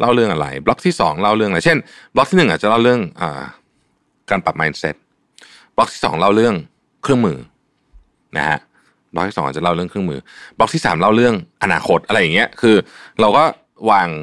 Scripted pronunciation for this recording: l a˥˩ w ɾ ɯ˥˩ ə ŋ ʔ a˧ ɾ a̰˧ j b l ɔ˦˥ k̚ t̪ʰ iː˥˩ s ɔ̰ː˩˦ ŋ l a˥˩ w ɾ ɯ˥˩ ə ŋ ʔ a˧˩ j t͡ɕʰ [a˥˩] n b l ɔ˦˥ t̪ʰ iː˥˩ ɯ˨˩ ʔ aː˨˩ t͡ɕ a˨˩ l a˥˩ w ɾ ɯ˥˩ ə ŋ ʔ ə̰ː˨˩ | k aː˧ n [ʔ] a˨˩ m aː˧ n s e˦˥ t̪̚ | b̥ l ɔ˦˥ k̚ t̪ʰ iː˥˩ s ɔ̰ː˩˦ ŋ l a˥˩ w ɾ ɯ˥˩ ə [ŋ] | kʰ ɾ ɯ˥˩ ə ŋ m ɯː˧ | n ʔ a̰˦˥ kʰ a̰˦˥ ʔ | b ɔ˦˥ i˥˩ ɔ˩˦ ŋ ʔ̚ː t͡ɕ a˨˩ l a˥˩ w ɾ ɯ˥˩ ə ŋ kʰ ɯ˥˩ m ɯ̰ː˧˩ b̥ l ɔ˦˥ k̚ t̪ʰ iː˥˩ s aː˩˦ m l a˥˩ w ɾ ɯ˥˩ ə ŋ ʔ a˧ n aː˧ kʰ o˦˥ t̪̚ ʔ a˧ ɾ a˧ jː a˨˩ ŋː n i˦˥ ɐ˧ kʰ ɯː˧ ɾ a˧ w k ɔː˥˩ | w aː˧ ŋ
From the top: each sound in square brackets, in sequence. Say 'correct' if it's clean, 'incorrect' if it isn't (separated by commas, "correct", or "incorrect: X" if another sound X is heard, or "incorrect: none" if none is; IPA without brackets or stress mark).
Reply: incorrect: e˥˩, incorrect: p, correct